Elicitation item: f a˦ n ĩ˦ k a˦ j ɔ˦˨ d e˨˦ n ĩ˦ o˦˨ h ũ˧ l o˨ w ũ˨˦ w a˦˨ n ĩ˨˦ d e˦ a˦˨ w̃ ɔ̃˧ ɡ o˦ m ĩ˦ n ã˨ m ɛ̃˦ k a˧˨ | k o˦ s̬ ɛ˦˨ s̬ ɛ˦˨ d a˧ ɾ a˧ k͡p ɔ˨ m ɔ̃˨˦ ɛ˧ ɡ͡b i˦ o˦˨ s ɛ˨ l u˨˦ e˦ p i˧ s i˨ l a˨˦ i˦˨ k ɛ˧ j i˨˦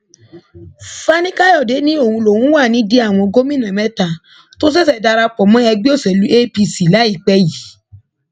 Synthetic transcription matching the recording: f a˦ n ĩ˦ k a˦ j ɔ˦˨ d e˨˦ n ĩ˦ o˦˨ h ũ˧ l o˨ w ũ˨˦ w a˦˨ n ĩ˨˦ d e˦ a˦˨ w̃ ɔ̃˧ ɡ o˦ m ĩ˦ n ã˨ m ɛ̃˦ t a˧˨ | t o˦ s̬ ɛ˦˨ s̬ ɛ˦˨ d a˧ ɾ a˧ k͡p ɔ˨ m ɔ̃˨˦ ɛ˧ ɡ͡b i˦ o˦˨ s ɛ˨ l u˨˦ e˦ p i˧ s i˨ l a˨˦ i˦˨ k͡p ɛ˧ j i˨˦